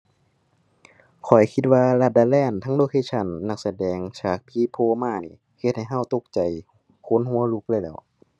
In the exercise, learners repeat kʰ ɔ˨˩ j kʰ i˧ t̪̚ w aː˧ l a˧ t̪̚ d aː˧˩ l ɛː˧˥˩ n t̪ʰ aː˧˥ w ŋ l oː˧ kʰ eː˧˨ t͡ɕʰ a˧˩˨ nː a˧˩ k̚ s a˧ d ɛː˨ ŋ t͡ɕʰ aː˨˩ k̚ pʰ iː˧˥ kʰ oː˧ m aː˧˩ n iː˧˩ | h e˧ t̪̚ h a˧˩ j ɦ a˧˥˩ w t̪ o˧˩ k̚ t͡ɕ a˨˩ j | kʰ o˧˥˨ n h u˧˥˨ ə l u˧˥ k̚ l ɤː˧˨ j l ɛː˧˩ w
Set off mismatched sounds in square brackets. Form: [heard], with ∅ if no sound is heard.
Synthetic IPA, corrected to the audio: kʰ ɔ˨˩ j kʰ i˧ t̪̚ w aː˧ l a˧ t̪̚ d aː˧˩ l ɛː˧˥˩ n t̪ʰ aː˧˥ [∅] ŋ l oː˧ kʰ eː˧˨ t͡ɕʰ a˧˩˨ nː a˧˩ k̚ s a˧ d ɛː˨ ŋ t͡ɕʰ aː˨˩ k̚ pʰ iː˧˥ [pʰ] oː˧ m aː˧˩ n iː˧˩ | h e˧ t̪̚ h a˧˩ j ɦ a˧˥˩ w t̪ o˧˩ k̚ t͡ɕ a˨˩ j | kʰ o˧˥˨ n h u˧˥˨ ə l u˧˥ k̚ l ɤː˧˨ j l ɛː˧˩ w